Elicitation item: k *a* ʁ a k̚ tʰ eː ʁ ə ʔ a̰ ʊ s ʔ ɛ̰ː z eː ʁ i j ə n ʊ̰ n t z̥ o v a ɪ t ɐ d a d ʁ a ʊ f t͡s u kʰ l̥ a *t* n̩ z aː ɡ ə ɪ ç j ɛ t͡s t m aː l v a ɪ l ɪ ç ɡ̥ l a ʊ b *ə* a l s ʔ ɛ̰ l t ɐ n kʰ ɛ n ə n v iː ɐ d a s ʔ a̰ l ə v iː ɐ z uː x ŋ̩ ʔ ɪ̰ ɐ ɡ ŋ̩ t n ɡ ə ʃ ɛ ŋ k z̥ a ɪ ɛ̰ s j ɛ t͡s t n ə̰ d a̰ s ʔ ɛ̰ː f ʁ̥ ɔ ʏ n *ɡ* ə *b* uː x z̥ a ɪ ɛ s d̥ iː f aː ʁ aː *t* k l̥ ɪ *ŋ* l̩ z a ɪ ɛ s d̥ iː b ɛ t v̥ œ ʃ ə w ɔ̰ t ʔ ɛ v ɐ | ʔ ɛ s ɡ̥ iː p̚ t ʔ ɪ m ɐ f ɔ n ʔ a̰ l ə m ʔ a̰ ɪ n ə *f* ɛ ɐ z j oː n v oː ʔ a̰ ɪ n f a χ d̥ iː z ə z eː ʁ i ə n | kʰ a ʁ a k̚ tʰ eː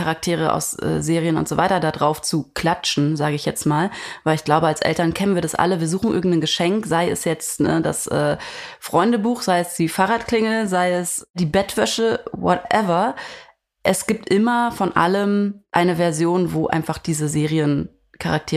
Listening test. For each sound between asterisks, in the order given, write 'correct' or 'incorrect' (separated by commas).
correct, incorrect, correct, incorrect, correct, correct, correct, incorrect